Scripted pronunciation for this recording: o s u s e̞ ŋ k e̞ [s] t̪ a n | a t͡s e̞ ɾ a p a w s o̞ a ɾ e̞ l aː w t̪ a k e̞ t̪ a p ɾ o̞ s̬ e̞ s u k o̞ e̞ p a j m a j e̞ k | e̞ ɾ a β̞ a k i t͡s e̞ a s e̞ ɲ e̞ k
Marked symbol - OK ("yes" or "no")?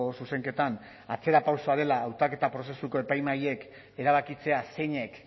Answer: no